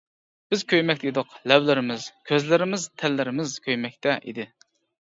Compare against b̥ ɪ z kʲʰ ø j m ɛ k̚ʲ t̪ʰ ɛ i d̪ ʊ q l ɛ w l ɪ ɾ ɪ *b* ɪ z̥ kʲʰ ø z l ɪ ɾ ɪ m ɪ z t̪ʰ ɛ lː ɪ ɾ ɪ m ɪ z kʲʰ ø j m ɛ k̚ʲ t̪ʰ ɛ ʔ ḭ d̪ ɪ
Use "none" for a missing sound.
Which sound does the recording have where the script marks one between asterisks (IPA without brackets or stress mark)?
m